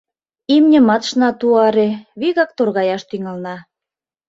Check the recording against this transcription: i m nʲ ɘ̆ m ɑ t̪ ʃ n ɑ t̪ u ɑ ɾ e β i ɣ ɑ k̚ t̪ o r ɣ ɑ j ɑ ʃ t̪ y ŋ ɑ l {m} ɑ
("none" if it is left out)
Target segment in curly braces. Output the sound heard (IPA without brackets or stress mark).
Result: n